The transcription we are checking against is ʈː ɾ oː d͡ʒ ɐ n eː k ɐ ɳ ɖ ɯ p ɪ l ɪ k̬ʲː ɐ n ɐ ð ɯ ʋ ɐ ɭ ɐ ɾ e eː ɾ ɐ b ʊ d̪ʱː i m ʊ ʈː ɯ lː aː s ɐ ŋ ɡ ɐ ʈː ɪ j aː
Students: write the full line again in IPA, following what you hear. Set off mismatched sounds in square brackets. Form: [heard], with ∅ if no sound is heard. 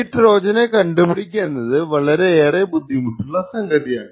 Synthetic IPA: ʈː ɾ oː d͡ʒ ɐ n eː k ɐ ɳ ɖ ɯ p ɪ [ɽ] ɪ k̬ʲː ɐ n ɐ ð ɯ ʋ ɐ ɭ ɐ ɾ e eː ɾ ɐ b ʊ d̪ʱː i m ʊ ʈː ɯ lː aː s ɐ ŋ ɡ ɐ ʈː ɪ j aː